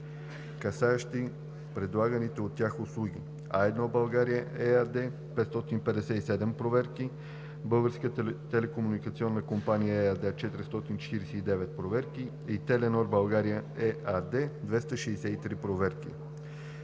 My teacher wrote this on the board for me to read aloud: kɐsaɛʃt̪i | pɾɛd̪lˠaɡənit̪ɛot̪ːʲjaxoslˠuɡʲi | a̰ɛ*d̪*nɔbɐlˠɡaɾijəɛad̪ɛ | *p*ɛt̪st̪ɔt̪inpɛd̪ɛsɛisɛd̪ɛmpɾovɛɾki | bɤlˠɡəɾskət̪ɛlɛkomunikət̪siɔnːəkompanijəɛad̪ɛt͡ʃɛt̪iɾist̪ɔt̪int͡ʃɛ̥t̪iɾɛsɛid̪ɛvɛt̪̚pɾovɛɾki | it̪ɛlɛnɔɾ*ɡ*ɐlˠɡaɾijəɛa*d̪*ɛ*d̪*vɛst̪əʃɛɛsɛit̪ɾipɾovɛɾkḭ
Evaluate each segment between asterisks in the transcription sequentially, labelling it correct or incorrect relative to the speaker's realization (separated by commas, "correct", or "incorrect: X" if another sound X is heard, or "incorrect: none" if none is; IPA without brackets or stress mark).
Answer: correct, correct, incorrect: b, correct, correct